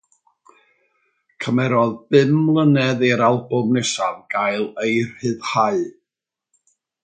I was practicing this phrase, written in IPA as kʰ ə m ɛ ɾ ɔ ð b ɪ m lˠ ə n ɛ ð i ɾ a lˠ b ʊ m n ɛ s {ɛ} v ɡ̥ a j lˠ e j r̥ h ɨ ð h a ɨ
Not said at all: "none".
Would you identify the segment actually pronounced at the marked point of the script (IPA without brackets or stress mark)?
a